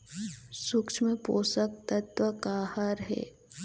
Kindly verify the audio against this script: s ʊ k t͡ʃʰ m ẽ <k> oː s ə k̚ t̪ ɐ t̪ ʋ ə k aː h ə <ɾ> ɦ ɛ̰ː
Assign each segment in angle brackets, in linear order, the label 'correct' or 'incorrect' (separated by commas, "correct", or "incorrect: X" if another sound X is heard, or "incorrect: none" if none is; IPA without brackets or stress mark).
incorrect: p, correct